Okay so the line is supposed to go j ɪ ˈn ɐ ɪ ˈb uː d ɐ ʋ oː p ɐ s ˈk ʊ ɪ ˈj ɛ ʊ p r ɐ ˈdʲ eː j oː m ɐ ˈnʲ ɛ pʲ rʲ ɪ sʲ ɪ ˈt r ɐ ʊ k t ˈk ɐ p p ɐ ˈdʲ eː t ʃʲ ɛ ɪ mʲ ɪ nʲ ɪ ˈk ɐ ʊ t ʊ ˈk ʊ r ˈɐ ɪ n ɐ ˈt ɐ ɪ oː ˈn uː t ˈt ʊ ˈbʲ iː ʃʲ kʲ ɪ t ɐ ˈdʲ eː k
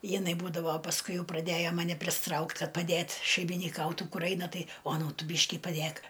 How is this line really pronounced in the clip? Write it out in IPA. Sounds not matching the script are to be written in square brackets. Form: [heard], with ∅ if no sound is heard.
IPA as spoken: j ɪ ˈn ɐ ɪ ˈb uː d ɐ ʋ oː p ɐ s ˈk ʊ ɪ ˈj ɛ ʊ p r ɐ ˈdʲ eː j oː m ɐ ˈnʲ ɛ pʲ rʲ ɪ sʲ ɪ ˈt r ɐ ʊ k t ˈk ɐ [t] p ɐ ˈdʲ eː t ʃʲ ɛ ɪ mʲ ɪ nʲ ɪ ˈk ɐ ʊ t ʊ ˈk ʊ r ˈɐ ɪ n ɐ ˈt ɐ ɪ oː ˈn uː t ˈt ʊ ˈbʲ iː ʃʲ kʲ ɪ [p] ɐ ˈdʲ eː k